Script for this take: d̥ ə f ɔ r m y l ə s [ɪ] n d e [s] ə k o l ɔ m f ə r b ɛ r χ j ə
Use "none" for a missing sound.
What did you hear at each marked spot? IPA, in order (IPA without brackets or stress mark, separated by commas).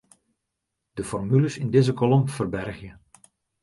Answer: ɪ, z